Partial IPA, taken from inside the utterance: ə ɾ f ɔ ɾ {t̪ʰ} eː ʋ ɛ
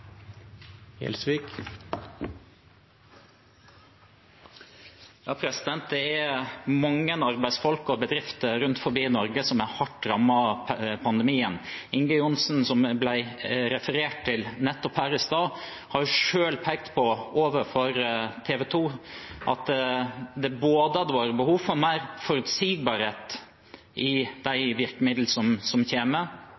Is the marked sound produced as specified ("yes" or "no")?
yes